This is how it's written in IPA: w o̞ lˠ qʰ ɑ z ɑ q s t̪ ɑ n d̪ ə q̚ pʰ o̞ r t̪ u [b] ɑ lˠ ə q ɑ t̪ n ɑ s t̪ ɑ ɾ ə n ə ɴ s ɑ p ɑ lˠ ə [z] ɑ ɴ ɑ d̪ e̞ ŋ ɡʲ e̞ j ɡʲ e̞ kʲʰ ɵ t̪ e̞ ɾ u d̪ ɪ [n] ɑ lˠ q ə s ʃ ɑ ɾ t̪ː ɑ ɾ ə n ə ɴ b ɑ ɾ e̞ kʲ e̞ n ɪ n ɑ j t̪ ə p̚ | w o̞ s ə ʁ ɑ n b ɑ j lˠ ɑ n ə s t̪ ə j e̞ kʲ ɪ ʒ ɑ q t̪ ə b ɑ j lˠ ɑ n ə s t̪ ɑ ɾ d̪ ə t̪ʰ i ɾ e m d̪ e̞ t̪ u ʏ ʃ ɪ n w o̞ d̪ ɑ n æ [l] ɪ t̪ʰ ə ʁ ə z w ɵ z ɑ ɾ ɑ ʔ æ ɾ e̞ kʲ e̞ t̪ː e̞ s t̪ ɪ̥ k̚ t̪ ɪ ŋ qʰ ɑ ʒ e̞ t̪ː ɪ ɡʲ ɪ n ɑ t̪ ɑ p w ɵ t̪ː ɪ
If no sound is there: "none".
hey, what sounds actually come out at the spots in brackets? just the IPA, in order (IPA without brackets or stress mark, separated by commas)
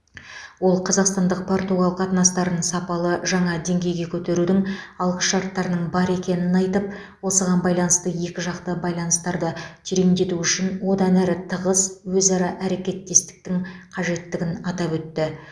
ɡ, ʒ, ŋ, ɾ